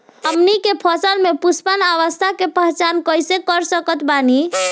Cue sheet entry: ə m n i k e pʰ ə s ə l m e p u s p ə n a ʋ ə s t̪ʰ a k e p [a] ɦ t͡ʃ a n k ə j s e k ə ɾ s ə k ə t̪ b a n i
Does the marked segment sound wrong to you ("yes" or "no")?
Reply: yes